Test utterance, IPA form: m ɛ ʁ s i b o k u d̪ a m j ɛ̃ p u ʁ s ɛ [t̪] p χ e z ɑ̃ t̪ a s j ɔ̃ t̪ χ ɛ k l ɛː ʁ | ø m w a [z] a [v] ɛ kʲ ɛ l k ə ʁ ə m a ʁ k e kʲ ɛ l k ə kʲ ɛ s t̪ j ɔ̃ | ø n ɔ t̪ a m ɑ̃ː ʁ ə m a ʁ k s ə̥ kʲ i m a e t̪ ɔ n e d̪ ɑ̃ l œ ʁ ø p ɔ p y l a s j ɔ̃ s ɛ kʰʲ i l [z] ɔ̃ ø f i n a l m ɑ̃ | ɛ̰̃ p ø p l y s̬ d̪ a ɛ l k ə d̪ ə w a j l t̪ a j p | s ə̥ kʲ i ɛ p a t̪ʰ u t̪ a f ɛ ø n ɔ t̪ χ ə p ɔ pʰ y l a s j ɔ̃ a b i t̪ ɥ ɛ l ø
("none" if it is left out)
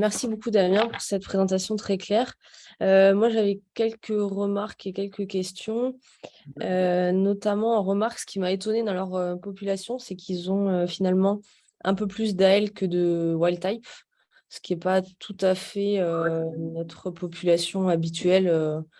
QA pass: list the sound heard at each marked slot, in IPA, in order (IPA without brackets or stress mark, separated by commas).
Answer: t̪, ʒ, v, z